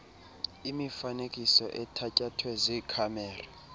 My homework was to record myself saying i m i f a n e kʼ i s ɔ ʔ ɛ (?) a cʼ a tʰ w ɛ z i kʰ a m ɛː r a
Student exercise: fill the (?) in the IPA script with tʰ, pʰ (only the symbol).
tʰ